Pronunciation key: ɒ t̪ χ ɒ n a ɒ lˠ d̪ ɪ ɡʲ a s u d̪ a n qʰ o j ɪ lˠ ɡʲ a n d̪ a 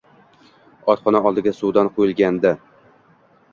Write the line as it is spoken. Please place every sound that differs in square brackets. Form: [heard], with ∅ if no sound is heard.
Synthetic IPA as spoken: ɒ t̪ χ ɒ n a ɒ lˠ d̪ ɪ ɡʲ a s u d̪ a n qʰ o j ɪ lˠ ɡʲ a n d̪ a